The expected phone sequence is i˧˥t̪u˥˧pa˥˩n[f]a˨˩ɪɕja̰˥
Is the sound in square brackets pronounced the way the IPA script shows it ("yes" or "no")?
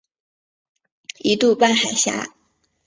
no